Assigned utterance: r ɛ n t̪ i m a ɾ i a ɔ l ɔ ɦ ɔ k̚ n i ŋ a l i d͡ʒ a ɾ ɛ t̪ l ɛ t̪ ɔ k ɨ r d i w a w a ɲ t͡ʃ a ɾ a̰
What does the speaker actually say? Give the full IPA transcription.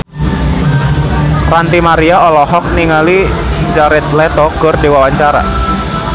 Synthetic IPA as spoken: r a n t̪ i m a ɾ i a ɔ l ɔ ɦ ɔ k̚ n i ŋ a l i d͡ʒ a ɾ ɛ t̪ l ɛ t̪ ɔ k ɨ r d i w a w a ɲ t͡ʃ a ɾ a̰